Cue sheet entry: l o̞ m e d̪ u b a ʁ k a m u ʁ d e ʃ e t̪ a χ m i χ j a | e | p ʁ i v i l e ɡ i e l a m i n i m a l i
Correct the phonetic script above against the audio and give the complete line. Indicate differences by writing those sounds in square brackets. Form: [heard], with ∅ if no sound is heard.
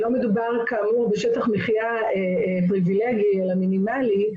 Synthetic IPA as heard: l o̞ m e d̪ u b a ʁ k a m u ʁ [b] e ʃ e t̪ a χ m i χ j a | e | p ʁ i v i l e ɡ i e l a m i n i m a l i